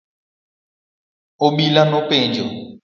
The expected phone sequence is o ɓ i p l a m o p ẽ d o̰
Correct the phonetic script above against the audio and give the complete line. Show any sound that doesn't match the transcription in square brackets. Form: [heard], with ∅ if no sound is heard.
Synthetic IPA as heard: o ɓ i [∅] l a [n] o p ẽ [d͡ʒ] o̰